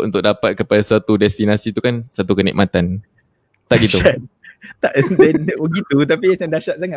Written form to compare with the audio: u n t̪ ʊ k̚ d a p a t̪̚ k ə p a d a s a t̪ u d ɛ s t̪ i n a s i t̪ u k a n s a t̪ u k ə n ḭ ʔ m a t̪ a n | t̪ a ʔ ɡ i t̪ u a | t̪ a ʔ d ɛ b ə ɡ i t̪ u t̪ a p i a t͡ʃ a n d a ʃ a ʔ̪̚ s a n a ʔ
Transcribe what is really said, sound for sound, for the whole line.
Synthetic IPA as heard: u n t̪ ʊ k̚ d a p a t̪̚ k ə p a d a s a t̪ u d ɛ s t̪ i n a s i t̪ u k a n s a t̪ u k ə n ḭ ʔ m a t̪ a n | t̪ a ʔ ɡ i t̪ u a | t̪ a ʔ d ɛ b ə ɡ i t̪ u t̪ a p i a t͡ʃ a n d a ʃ a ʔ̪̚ s a ŋ a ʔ